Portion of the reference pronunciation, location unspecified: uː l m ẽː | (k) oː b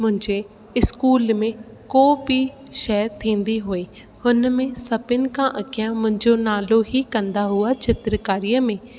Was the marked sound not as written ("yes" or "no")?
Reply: no